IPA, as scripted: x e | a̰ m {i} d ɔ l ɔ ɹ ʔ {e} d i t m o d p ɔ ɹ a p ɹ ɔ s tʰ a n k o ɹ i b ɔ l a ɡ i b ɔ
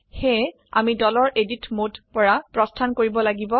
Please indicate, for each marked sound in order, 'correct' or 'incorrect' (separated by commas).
correct, correct